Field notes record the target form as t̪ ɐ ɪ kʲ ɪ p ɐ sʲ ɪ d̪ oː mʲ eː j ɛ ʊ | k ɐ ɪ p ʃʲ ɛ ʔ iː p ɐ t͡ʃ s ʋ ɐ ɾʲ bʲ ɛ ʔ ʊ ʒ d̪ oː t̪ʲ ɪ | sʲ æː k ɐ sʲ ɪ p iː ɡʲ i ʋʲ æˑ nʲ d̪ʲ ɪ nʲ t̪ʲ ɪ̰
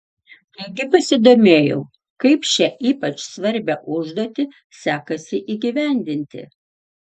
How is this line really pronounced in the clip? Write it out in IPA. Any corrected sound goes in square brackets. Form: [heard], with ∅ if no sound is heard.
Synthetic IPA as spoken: t̪ ɐ ɪ [ɡʲ] ɪ p ɐ sʲ ɪ d̪ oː mʲ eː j ɛ ʊ | k ɐ ɪ p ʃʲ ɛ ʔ iː p ɐ t͡ʃ s ʋ ɐ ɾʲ bʲ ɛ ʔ ʊ ʒ d̪ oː t̪ʲ ɪ | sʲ æː k ɐ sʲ ɪ [ʔ] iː ɡʲ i ʋʲ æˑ nʲ d̪ʲ ɪ nʲ t̪ʲ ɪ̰